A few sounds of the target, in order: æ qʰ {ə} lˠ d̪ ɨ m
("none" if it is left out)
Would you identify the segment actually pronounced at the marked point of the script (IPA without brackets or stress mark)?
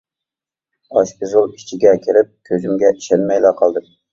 ɑ